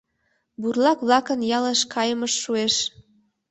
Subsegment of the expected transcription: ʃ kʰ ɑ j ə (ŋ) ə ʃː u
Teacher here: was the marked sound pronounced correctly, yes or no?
no